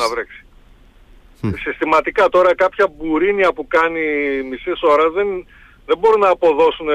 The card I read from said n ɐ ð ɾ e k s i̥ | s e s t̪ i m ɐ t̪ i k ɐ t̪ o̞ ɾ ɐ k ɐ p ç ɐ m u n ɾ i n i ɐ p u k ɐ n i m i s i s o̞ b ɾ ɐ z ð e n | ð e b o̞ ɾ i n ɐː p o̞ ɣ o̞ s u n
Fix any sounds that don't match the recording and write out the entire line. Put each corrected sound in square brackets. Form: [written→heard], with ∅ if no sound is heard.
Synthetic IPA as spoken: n ɐ [ð→v] ɾ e k s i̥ | s [e→i] s t̪ i m ɐ t̪ i k ɐ t̪ o̞ ɾ ɐ k ɐ p ç ɐ [m→b] u [n→∅] ɾ i n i ɐ p u k ɐ n i m i s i s o̞ [b→∅] ɾ ɐ z ð e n | ð e b o̞ ɾ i n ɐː p o̞ [ɣ→ð] o̞ s u n